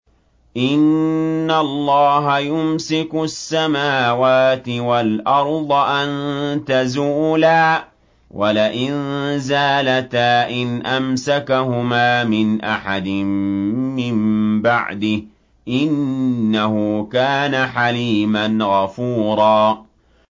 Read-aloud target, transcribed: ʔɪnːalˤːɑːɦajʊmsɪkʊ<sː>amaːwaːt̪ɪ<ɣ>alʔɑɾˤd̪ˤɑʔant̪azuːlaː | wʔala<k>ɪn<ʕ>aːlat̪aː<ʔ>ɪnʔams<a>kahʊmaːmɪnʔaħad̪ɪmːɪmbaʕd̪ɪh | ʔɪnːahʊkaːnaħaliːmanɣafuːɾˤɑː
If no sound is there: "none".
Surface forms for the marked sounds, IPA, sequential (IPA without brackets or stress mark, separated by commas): sː, w, ʔ, z, ʔ, a